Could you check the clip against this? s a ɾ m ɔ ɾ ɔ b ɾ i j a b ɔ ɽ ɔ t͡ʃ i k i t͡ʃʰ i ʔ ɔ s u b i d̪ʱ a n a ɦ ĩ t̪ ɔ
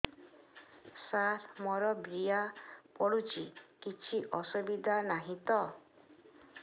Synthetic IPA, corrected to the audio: s a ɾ m ɔ ɾ ɔ b ɾ i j a p ɔ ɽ u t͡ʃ i k i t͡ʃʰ i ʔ ɔ s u b i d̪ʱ a n a ɦ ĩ t̪ ɔ